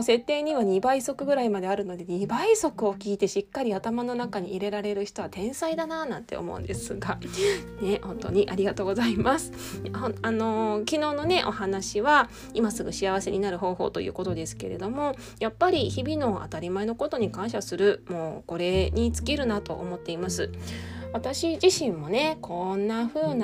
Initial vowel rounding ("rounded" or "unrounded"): unrounded